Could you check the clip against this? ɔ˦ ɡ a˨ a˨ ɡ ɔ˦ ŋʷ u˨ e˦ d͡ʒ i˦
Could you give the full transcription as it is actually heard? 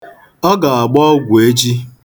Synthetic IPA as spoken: ɔ˦ ɡ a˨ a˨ ɡ͡b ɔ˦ ɡʷ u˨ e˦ d͡ʒ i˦